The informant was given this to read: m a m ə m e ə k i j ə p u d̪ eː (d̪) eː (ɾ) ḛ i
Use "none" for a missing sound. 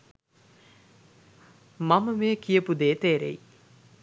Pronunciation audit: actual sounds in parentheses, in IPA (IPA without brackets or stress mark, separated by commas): t̪, ɾ